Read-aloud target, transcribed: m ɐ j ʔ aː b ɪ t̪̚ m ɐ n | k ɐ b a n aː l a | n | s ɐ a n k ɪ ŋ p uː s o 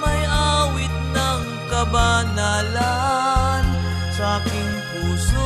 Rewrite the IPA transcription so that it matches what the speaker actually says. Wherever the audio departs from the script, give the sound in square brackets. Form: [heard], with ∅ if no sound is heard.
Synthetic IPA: m ɐ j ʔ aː [w] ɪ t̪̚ [n] ɐ [ŋ] | k ɐ b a n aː l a | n | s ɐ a [∅] k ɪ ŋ p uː s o